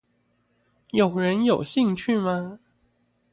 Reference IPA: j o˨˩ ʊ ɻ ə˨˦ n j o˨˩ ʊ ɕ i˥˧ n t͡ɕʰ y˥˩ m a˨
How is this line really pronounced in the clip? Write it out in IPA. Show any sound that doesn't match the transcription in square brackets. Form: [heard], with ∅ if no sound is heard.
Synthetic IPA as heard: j o˨˩ ʊ ɻ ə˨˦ n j o˨˩ ʊ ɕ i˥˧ [ŋ] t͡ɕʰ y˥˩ m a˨